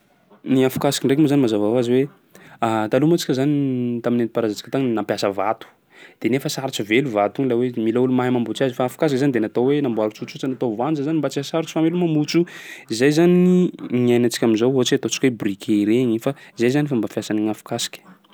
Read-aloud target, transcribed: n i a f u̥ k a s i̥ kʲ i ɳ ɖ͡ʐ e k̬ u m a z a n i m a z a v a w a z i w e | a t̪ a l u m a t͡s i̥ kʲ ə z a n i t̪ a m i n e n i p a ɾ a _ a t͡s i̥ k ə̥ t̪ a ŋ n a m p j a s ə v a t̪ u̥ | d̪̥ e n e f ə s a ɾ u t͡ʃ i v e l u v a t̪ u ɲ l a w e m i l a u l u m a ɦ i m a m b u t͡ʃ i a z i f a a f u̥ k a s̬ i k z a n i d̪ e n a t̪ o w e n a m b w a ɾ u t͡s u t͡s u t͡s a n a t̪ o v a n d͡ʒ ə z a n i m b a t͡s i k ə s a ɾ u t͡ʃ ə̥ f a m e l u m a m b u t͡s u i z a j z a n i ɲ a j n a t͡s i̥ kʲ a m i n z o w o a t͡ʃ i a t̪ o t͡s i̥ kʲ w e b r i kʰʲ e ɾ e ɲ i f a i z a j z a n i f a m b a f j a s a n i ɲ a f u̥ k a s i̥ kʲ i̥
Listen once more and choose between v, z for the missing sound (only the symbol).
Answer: z